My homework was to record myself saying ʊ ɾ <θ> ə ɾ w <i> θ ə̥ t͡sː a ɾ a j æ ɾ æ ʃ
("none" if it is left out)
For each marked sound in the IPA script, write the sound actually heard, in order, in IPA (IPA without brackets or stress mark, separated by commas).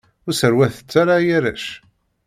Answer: s, æ